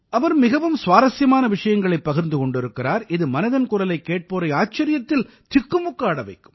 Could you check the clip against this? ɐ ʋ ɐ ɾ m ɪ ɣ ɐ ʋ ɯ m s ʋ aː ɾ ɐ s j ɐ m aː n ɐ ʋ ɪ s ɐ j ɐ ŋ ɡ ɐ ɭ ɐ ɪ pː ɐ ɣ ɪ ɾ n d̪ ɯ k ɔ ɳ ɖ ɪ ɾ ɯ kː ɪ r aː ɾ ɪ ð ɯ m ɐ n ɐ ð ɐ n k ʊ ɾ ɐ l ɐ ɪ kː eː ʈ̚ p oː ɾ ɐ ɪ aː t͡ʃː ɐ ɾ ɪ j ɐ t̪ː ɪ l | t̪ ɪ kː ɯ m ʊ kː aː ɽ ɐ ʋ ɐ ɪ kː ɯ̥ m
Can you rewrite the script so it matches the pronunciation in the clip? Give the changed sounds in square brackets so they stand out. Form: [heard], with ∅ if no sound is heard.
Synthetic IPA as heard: ɐ ʋ ɐ ɾ m ɪ ɣ ɐ ʋ ɯ m s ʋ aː ɾ ɐ s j ɐ m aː n ɐ ʋ ɪ [ʂ] ɐ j ɐ ŋ ɡ ɐ ɭ ɐ ɪ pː ɐ ɣ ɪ ɾ n d̪ ɯ k ɔ ɳ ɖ ɪ ɾ ɯ kː ɪ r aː ɾ ɪ ð ɯ m ɐ n ɐ ð ɐ n k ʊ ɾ ɐ l ɐ ɪ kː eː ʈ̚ p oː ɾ ɐ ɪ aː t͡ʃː ɐ ɾ ɪ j ɐ t̪ː ɪ l | t̪ ɪ kː ɯ m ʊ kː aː ɽ ɐ ʋ ɐ ɪ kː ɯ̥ m